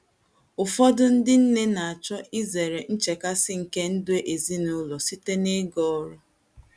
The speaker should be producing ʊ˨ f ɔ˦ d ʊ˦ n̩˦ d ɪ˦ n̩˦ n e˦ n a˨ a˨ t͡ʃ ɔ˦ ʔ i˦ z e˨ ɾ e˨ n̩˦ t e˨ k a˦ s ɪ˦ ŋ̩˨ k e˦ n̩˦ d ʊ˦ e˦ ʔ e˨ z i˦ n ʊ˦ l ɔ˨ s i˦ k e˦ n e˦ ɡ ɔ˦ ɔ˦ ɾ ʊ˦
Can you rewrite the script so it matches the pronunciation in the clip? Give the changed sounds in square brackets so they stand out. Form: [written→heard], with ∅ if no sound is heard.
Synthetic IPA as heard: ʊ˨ f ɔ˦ d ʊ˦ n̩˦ d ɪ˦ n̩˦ n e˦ n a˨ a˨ t͡ʃ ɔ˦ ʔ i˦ z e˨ ɾ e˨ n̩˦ [t→t͡ʃ] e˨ k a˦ s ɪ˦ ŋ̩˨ k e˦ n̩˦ d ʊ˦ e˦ ʔ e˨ z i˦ n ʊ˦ l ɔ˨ s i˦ [k→t] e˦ n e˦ ɡ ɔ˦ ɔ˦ ɾ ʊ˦